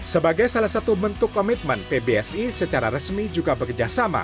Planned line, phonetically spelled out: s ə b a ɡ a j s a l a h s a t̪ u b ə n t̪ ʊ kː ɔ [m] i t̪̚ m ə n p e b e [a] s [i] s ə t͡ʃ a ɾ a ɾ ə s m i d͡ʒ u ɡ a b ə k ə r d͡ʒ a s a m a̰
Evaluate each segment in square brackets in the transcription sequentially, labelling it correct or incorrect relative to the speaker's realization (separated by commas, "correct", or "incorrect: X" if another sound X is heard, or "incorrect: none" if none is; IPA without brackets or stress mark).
correct, incorrect: ɛ, correct